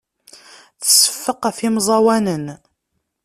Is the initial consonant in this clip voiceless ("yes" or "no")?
yes